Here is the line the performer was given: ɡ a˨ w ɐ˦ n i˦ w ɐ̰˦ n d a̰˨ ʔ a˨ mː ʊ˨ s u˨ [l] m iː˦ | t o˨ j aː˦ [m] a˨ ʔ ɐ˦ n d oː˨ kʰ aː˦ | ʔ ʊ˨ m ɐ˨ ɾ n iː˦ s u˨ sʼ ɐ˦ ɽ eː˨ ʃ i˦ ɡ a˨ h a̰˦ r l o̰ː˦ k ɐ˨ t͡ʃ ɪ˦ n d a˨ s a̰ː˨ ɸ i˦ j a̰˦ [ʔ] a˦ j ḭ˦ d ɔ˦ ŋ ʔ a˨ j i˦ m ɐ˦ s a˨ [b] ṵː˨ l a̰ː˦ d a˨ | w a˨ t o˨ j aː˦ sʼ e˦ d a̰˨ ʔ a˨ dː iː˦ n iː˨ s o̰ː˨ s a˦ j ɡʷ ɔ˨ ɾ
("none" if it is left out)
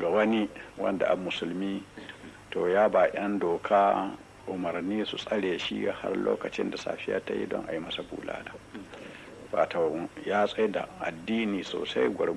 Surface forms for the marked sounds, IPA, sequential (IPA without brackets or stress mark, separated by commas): l, b, t, b